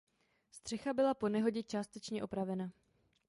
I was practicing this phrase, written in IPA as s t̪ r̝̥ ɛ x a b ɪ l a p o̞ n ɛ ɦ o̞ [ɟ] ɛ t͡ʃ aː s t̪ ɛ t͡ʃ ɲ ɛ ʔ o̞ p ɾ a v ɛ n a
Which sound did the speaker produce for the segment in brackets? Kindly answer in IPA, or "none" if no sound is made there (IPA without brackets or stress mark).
ɟ